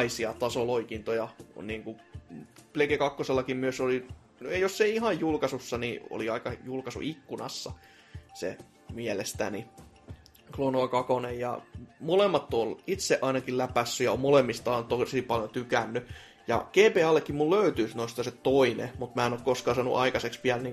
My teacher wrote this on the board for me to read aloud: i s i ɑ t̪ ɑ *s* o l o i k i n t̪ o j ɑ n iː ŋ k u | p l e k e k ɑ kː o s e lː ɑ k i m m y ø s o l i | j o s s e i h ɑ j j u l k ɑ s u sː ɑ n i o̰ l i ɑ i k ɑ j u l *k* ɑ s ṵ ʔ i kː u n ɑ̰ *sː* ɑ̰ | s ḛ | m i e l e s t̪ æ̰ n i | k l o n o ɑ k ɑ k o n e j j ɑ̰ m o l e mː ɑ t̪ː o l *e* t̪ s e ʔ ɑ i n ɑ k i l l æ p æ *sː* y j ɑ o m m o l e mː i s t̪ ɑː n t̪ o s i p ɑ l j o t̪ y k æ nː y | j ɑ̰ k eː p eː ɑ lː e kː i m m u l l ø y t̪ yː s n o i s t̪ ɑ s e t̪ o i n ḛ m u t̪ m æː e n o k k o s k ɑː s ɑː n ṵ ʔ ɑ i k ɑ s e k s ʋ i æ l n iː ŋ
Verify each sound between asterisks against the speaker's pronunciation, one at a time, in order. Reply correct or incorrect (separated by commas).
correct, correct, correct, incorrect, correct